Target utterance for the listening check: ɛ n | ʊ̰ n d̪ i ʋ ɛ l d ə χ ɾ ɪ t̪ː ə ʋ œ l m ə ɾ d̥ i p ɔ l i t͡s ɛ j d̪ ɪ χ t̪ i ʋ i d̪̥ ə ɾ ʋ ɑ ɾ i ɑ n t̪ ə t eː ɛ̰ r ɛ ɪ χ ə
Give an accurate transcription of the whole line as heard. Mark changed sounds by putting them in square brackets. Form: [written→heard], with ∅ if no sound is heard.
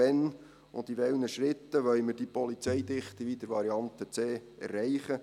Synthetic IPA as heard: ɛ n | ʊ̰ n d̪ i ʋ ɛ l [d→n] ə [χ→ʃ] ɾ ɪ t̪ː ə ʋ œ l m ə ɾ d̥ i p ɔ l i t͡s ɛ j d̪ ɪ χ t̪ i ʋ i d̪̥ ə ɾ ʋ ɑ ɾ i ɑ n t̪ ə [t→t͡s] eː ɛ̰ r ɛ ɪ χ ə